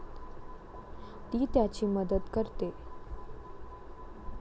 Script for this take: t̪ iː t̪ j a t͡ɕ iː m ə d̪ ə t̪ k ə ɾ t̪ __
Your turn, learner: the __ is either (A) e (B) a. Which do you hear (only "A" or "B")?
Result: A